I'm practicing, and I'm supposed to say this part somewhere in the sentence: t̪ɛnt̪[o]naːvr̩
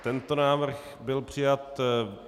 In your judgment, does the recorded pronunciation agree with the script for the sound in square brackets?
yes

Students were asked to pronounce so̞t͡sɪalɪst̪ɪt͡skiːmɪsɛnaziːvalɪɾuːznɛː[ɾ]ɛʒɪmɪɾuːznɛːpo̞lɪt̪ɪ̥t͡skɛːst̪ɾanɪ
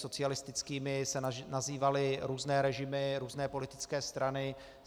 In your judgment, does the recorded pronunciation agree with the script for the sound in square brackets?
yes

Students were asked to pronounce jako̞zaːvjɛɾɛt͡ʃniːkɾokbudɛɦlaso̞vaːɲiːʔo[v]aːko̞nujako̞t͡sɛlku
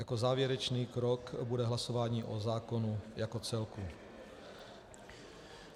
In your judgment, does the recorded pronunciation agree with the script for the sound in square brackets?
no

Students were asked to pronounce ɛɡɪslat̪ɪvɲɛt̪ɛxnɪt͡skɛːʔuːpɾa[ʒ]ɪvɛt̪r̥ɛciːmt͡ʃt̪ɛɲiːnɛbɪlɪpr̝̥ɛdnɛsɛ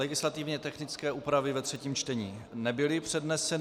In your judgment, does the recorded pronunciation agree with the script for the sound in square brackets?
no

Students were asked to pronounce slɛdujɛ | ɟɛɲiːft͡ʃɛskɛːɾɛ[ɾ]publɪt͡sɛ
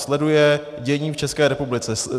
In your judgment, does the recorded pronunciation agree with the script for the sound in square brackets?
no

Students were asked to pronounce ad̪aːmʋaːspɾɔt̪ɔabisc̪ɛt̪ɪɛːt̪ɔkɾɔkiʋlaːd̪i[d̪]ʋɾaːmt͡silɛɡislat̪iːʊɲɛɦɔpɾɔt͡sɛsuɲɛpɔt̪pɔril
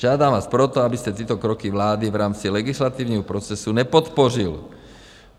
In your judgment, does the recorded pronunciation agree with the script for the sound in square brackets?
no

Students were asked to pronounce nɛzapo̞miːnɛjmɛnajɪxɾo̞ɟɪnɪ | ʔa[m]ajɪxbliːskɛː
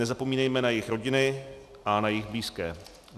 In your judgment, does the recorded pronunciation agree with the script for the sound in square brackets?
no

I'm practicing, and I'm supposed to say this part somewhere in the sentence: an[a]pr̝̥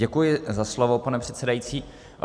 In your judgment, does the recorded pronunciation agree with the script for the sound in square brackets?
no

